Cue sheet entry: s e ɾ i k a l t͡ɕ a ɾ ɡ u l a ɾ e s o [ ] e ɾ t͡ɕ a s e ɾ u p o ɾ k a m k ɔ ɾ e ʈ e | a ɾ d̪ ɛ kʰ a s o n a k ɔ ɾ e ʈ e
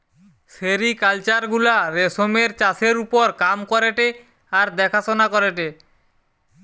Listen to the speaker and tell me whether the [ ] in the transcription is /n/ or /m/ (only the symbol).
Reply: m